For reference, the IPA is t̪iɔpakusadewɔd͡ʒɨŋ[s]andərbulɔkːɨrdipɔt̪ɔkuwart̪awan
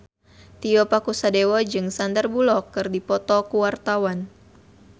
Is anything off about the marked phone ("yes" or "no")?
no